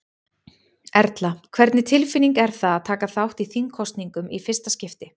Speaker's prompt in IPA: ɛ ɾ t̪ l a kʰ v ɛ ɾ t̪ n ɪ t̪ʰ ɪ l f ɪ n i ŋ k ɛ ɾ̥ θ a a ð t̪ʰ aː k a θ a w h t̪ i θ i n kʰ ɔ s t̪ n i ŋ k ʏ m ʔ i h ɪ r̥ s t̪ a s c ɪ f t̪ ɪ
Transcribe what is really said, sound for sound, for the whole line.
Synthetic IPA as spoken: ɛ ɾ t̪ l a kʰ v ɛ ɾ t̪ n ɪ t̪ʰ ɪ l f ɪ n i ŋ k ɛ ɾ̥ θ a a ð t̪ʰ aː k a θ a w h t̪ i θ i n kʰ ɔ s t̪ n i ŋ k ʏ m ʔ i f ɪ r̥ s t̪ a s c ɪ f t̪ ɪ

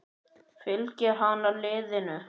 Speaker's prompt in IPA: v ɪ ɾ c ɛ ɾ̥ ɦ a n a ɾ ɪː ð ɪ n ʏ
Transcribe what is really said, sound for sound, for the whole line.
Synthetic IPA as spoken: f ɪ l c ɛ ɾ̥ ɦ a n a l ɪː ð ɪ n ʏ

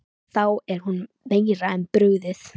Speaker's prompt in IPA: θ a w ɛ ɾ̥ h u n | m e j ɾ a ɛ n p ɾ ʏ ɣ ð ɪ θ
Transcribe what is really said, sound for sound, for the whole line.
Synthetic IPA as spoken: θ a w ɛ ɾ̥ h u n | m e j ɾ a ɛ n p ɾ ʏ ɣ ð ɪ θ

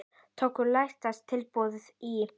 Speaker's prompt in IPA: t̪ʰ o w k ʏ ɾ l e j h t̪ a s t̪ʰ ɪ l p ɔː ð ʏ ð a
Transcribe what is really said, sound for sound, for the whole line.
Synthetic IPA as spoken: t̪ʰ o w k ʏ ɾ l a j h t̪ a s t̪ʰ ɪ l p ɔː ð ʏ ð i

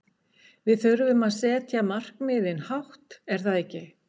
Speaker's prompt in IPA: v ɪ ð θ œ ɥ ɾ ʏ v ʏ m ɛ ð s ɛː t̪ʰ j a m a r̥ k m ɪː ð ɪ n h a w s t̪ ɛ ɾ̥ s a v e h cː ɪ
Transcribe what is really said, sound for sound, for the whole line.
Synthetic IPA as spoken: v ɪ ð θ œ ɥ ɾ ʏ v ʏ m a ð s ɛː t̪ʰ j a m a r̥ k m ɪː ð ɪ n h a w h t̪ ɛ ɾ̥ θ a ð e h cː ɪ

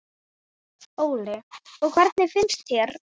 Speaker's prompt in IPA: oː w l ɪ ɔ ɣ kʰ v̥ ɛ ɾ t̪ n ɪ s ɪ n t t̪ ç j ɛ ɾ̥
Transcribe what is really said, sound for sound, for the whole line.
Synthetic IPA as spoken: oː w l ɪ ɔ ɣ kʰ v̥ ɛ ɾ t̪ n ɪ f ɪ n s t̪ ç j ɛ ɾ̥

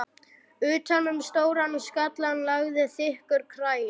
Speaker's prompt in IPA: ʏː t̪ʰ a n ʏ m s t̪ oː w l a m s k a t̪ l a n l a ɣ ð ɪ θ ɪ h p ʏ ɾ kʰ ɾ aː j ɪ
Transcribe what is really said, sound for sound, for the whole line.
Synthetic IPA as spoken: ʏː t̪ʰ a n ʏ m s t̪ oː w ɾ a n s k a t̪ l a n l a ɣ ð ɪ θ ɪ h k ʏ ɾ kʰ ɾ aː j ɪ

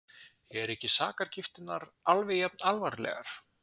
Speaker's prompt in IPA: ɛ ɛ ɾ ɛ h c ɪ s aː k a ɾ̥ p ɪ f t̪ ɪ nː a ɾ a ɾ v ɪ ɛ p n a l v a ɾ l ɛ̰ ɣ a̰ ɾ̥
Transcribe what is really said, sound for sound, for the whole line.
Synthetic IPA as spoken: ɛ ɛ ɾ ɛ h c ɪ s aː k a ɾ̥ c ɪ f t̪ ɪ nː a ɾ a l v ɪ ɛ p n a l v a ɾ l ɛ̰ ɣ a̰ ɾ̥

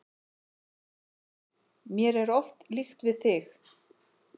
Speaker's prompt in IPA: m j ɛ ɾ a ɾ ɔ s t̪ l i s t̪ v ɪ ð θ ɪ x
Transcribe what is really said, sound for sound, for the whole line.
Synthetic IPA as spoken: m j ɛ ɾ ɛ ɾ ɔ f t̪ l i x t̪ v ɪ ð θ ɪ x

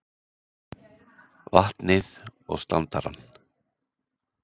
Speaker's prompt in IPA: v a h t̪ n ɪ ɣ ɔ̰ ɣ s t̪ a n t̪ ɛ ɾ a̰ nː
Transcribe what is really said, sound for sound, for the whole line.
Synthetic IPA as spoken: v a h t̪ n ɪ ð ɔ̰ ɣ s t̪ a n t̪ a ɾ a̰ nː

